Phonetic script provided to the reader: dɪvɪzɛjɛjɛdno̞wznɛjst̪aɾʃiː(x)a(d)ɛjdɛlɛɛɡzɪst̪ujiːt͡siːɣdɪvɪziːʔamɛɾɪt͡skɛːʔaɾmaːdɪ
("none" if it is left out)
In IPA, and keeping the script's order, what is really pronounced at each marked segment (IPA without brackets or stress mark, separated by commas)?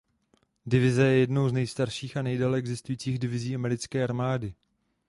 x, n